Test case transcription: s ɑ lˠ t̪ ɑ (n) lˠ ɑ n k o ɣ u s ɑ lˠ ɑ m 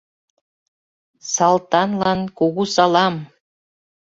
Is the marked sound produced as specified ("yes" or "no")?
yes